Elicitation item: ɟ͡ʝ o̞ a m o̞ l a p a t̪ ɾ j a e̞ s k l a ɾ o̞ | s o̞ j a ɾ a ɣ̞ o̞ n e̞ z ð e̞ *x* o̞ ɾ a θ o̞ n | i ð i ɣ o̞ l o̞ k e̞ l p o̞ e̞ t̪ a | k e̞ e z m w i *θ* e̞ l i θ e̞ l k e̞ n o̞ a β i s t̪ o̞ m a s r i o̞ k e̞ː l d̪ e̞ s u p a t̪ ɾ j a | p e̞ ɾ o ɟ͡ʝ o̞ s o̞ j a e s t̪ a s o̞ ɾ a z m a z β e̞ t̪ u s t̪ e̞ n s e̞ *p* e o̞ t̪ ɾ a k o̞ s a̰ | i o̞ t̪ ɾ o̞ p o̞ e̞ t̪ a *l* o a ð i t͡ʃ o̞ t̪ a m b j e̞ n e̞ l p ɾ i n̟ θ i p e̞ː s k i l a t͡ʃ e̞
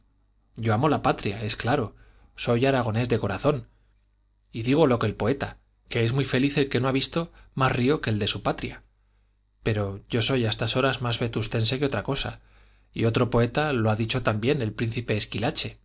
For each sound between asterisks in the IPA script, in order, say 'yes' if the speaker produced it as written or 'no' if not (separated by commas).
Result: no, no, no, yes